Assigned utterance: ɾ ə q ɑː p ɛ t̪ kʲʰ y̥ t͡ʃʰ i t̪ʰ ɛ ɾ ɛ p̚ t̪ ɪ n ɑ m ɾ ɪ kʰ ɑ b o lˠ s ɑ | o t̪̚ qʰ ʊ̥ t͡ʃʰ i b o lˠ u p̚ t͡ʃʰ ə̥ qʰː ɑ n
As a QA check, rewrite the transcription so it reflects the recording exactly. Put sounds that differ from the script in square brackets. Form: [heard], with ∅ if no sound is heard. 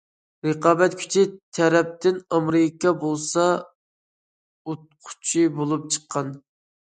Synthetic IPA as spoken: ɾ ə q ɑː [b] ɛ t̪ kʲʰ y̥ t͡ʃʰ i t̪ʰ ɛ ɾ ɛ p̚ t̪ ɪ n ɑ m ɾ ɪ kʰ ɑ b o lˠ s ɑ | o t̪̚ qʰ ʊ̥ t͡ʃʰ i b o lˠ u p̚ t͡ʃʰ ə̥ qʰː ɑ n